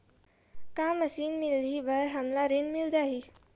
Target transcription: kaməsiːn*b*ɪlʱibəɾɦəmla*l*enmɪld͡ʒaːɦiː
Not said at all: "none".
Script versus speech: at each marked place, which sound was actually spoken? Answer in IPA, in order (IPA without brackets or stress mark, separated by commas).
m, ɾ